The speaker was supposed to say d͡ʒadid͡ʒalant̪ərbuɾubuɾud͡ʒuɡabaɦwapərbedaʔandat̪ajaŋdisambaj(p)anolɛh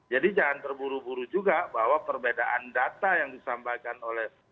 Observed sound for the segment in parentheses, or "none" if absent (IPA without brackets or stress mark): k